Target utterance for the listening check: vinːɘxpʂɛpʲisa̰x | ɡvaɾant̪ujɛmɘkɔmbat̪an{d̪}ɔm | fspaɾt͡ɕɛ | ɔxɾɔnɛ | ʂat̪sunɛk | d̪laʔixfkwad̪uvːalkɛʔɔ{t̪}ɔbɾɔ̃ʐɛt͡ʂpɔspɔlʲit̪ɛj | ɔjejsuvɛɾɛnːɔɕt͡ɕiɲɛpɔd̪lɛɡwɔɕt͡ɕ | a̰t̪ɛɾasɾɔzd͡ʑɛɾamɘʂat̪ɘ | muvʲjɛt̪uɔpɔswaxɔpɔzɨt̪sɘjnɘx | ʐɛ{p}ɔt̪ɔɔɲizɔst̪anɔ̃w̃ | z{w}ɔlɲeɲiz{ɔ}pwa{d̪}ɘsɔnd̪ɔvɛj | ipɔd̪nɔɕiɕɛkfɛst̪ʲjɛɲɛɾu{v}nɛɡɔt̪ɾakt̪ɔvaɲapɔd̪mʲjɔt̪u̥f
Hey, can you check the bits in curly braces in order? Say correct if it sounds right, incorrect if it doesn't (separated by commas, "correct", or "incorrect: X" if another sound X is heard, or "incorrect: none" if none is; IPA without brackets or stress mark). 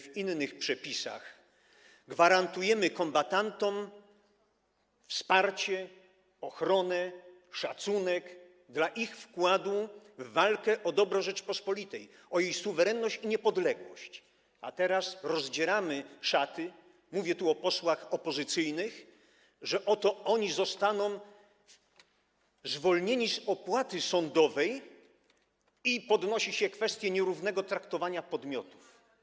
incorrect: t̪, incorrect: d̪, incorrect: ʔ, incorrect: v, correct, incorrect: t̪, correct